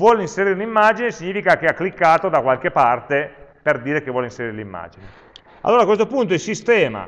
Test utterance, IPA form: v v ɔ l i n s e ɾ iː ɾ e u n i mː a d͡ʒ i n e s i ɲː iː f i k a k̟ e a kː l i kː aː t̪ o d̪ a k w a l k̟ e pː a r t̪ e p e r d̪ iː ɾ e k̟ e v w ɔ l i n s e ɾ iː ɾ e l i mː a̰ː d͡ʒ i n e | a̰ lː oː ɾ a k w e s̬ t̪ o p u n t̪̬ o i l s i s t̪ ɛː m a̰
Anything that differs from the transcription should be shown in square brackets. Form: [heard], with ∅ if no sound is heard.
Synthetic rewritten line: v [w] ɔ l i n s e ɾ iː ɾ e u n i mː a d͡ʒ i n e s i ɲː iː f i k a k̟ e a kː l i kː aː t̪ o d̪ a k w a l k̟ e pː a r t̪ e p e r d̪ iː ɾ e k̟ e v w ɔ l i n s e ɾ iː ɾ e l i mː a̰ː d͡ʒ i n e | a̰ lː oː ɾ a k w e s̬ t̪ o p u n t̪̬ o i l s i s t̪ ɛː m a̰